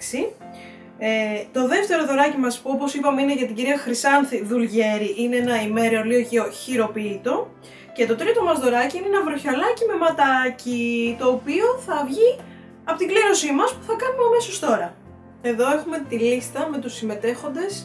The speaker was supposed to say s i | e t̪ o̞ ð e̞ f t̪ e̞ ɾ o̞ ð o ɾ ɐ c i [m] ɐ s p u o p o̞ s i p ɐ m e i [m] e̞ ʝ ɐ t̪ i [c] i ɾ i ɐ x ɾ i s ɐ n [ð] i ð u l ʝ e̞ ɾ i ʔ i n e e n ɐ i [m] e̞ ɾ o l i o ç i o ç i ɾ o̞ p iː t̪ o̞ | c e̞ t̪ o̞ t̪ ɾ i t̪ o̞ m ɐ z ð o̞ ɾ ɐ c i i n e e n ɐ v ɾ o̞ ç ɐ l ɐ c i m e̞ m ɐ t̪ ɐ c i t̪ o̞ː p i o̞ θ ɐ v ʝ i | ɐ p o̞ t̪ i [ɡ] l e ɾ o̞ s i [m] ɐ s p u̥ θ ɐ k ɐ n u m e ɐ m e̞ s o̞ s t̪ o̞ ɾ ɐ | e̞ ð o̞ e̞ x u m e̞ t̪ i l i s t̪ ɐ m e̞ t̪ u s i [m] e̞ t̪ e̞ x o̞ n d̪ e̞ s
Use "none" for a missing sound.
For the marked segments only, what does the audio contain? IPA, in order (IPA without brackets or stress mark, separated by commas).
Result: m, n, ɟ, θ, m, ɡ, m, m